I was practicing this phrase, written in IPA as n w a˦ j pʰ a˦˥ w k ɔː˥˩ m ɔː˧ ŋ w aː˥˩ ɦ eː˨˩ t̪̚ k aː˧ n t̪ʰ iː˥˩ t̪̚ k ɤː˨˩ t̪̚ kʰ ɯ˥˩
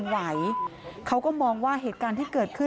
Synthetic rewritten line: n w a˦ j kʰ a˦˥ w k ɔː˥˩ m ɔː˧ ŋ w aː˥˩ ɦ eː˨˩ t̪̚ k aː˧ n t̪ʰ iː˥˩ k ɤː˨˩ t̪̚ kʰ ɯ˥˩